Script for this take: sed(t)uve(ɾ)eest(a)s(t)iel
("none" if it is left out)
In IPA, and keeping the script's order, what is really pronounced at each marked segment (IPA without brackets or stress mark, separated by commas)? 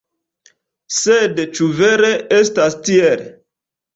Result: t͡ʃ, ɾ, a, t